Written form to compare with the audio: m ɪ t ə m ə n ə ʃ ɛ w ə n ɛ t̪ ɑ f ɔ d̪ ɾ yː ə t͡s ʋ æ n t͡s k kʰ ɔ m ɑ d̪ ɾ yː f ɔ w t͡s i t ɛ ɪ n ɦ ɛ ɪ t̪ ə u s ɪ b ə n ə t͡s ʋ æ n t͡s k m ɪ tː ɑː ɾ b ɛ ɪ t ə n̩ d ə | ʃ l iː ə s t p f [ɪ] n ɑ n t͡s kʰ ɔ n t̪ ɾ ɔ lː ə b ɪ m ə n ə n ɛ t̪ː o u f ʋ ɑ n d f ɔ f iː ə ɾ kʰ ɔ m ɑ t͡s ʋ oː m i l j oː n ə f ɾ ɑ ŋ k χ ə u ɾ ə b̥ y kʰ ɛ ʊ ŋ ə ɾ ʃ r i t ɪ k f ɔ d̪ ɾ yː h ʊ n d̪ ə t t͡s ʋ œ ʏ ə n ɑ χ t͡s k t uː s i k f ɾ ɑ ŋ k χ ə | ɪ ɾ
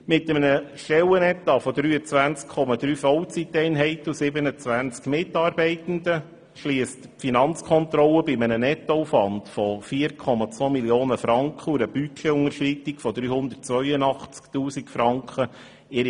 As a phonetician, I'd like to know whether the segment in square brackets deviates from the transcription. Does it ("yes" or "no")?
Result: yes